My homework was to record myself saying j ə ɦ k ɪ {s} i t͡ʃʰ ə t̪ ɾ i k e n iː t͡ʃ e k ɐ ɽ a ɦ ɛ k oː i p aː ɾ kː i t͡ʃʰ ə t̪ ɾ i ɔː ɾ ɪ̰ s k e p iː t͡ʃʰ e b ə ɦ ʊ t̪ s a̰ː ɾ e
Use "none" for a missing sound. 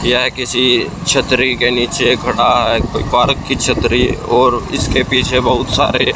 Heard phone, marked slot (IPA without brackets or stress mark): s